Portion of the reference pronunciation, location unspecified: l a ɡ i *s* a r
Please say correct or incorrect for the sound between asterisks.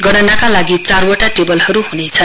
incorrect